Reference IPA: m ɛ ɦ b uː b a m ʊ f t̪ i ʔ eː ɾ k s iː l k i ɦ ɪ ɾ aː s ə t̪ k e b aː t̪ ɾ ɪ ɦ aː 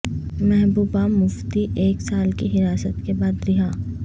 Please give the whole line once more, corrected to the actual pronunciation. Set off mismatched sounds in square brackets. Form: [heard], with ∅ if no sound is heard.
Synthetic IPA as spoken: m ɛ ɦ b uː b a m ʊ f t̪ i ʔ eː [∅] k s [aː] l k i ɦ ɪ ɾ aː s ə t̪ k e b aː [d̪] ɾ ɪ ɦ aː